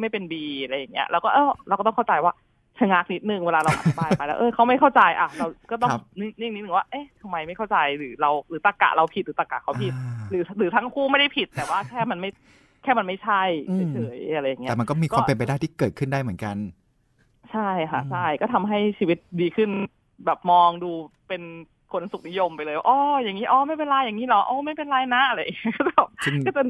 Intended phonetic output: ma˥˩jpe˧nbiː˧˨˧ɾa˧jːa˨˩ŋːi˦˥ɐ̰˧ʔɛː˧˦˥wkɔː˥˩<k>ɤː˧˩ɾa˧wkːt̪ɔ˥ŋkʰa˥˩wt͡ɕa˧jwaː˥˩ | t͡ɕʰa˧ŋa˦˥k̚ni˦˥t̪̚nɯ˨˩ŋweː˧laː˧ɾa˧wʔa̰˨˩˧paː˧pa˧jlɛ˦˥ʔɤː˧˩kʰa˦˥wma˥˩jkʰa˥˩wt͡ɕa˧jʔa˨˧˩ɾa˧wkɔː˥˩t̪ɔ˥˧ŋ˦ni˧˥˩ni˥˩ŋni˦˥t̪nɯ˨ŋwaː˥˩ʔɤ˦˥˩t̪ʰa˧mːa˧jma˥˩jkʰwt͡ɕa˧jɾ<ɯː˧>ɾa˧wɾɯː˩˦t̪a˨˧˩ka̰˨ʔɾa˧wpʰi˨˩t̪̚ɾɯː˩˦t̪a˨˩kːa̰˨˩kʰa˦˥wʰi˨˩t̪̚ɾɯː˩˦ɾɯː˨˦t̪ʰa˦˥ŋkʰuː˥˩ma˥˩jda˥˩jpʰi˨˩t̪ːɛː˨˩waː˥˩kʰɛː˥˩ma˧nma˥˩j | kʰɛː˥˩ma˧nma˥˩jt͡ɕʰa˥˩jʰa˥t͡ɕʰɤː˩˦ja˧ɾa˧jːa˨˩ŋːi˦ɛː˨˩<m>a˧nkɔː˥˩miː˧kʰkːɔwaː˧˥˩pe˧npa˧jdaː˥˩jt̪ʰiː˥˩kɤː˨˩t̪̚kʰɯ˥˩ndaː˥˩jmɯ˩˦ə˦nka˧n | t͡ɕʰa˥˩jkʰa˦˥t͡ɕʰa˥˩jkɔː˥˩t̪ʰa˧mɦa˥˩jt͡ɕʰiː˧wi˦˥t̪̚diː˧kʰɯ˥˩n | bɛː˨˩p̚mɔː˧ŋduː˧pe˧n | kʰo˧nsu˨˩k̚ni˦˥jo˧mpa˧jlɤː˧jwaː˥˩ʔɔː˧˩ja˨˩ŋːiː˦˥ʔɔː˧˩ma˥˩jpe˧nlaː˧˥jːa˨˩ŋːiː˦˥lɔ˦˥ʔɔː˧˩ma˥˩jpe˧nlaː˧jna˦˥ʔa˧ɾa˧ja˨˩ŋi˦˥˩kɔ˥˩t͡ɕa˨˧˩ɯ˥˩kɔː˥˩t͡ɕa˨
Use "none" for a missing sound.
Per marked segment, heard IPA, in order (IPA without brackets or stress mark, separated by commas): ʔ, ɯː˩˦, m